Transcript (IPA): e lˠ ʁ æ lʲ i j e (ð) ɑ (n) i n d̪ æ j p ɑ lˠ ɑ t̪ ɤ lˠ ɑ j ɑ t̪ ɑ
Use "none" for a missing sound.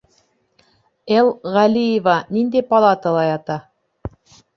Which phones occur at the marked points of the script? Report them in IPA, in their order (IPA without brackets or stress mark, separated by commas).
v, n